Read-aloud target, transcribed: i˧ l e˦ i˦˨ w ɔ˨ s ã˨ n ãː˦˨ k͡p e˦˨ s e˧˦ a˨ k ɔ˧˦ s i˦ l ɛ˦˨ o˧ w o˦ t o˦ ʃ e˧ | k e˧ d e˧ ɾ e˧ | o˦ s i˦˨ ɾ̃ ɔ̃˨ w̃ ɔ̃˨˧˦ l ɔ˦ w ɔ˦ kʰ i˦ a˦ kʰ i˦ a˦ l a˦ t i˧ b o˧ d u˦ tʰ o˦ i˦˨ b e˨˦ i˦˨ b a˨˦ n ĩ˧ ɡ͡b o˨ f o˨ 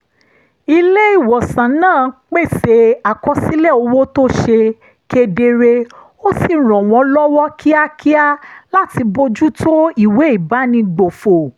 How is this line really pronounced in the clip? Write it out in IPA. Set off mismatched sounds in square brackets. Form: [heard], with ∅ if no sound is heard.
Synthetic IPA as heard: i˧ l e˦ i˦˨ w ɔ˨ s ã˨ n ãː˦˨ k͡p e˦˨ s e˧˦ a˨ k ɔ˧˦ s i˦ l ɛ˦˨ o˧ w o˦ t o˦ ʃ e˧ | k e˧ d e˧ ɾ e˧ | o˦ s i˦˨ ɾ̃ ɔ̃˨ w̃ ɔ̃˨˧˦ l ɔ˦ w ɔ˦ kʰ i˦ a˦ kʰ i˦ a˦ l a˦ t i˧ b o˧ [d͡ʒ] u˦ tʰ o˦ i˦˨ [w] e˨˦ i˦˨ b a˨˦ n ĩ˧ ɡ͡b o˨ f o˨